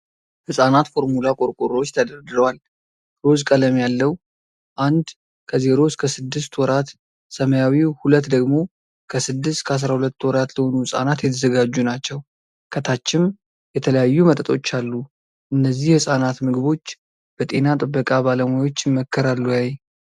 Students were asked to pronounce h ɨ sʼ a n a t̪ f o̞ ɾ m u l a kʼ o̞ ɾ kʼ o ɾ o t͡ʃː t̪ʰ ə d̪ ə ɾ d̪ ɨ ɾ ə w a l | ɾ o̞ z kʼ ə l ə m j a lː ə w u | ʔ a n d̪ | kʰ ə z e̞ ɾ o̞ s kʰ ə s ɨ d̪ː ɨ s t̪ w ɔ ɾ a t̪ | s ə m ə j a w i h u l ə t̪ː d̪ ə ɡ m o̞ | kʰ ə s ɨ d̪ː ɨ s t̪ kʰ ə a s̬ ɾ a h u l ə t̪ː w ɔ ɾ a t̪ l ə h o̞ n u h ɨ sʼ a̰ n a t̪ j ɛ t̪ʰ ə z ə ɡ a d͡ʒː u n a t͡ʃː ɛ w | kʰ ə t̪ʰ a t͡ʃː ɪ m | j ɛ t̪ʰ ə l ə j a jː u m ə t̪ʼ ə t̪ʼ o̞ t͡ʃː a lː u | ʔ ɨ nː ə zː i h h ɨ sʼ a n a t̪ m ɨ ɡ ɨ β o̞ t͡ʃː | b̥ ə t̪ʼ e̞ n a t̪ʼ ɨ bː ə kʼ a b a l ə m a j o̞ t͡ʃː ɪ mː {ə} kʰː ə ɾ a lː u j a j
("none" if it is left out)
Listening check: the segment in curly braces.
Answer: ə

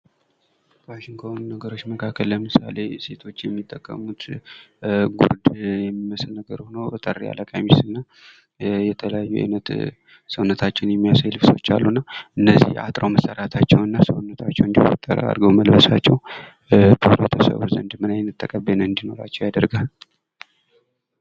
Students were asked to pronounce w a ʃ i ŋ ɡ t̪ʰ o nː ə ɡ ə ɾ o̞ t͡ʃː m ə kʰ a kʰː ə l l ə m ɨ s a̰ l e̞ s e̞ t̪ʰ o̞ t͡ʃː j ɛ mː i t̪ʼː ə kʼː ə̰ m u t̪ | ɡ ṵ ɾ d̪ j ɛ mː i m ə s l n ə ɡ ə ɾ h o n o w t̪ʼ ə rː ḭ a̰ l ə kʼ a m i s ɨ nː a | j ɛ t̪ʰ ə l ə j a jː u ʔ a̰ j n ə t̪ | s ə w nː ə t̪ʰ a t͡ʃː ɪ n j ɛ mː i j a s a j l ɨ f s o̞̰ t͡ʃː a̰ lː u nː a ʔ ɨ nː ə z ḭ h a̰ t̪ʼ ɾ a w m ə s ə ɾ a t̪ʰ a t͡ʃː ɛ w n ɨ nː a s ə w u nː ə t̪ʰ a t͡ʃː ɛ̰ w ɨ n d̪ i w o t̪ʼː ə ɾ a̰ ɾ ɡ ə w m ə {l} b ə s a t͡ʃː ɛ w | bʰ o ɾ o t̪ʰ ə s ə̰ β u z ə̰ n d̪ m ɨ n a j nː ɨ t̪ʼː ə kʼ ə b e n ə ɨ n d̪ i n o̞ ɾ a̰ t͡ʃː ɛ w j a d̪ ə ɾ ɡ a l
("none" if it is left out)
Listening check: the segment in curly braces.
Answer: l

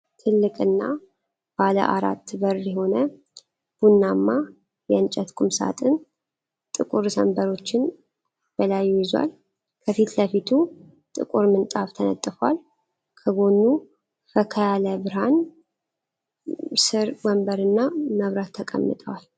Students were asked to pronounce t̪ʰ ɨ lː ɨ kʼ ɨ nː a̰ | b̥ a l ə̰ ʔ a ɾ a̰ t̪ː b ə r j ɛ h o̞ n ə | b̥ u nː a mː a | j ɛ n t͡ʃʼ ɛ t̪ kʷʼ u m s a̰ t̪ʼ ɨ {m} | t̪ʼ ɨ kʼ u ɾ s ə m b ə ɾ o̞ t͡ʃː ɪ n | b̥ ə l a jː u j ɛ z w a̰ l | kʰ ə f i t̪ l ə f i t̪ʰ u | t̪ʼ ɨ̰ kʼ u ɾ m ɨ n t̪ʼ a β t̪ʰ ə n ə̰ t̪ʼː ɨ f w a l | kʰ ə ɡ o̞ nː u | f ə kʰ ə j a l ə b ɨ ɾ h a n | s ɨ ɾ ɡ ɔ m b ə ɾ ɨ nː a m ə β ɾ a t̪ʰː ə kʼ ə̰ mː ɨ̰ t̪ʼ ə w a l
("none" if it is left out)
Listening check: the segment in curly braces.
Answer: n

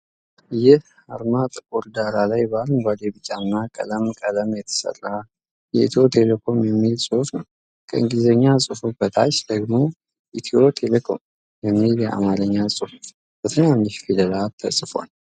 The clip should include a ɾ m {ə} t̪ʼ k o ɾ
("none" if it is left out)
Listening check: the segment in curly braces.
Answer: a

